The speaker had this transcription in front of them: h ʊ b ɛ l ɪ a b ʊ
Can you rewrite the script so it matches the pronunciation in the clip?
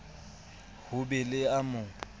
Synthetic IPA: h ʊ b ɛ l ɪ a m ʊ